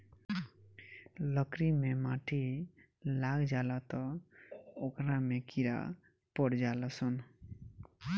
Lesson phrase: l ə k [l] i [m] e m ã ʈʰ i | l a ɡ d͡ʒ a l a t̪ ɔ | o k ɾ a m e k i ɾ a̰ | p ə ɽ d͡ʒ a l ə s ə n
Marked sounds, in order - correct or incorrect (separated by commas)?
incorrect, correct